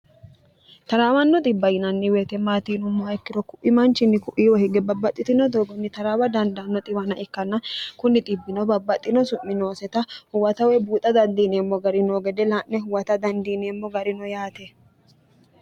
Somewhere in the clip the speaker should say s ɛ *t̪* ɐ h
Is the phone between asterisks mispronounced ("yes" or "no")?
no